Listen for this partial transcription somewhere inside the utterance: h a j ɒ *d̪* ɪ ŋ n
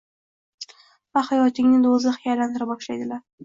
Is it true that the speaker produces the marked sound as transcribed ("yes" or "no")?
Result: no